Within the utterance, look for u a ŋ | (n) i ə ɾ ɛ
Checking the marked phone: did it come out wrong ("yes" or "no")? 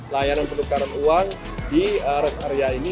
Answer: yes